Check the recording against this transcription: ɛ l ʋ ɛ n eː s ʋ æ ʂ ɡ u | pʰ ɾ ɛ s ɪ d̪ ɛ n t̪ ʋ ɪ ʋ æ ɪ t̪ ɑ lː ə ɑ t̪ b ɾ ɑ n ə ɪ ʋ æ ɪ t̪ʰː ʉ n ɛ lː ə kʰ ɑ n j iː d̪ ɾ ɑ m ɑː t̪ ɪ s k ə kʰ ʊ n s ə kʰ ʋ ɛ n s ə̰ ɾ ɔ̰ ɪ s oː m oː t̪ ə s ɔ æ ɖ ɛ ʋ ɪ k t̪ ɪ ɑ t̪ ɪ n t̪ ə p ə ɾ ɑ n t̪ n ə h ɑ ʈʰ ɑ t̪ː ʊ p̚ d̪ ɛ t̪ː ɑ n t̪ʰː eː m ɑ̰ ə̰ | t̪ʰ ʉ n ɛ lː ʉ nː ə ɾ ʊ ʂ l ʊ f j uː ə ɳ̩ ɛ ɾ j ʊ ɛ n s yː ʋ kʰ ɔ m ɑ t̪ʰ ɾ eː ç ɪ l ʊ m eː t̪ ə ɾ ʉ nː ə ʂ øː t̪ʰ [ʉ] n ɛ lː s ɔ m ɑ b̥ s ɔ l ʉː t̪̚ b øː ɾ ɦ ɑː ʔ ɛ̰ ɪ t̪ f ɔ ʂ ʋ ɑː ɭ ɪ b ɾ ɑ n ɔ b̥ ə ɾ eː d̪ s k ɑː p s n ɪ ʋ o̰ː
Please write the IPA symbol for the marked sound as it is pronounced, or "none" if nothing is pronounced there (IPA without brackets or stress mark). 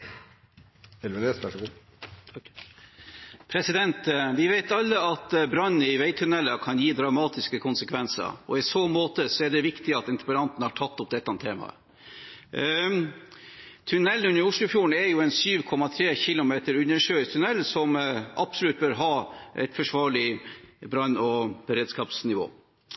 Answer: ʉ